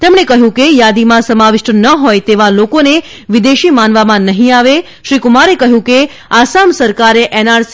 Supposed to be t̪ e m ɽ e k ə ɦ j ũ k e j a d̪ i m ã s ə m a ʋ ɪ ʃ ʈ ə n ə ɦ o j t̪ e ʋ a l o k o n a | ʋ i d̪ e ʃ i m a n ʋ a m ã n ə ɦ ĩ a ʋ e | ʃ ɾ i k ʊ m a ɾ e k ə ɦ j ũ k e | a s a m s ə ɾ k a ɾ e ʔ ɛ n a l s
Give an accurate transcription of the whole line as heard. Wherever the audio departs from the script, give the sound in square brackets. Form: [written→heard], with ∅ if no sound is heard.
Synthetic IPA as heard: t̪ e m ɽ e k ə ɦ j ũ k e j a d̪ i m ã s ə m a ʋ ɪ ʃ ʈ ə n ə ɦ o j t̪ e ʋ a l o k o n [a→e] | ʋ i d̪ e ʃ i m a n ʋ a m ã n ə ɦ ĩ a ʋ e | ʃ ɾ i k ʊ m a ɾ e k ə ɦ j ũ k e | a s a m s ə ɾ k a ɾ e ʔ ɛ n a [l→ɾ] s